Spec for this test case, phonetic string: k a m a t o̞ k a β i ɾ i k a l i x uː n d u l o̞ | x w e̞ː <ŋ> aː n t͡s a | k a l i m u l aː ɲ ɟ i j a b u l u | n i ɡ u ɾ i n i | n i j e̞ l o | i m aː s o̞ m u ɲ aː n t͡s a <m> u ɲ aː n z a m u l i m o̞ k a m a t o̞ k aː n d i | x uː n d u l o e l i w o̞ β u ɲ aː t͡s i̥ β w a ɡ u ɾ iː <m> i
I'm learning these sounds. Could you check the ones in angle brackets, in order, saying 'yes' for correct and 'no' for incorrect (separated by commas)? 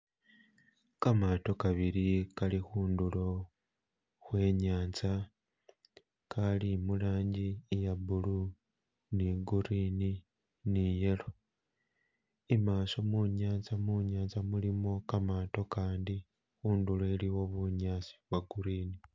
no, yes, no